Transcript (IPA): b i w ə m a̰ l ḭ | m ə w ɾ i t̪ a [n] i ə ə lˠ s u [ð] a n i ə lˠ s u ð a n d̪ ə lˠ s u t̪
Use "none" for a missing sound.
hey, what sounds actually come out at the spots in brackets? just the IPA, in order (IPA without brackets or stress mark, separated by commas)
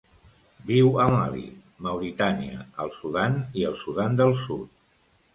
n, ð